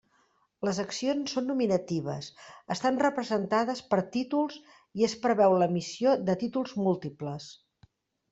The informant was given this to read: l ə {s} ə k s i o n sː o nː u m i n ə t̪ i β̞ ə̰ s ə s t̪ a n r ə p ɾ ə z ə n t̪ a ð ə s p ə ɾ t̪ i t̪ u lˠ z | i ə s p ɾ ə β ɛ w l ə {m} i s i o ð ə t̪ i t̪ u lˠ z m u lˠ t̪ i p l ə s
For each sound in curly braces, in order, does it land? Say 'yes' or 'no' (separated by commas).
no, yes